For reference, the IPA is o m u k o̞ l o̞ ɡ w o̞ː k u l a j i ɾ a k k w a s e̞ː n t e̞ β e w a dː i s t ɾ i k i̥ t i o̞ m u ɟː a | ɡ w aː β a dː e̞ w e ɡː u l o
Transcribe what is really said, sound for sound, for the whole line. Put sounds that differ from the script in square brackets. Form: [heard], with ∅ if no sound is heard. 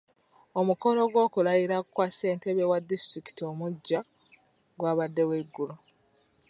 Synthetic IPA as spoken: o m u k o̞ l o̞ ɡ w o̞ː k u l a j i ɾ a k k w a s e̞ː n t e̞ β e w a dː i s t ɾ i k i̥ t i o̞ m u ɟː a | ɡ w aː β a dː e̞ w e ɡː u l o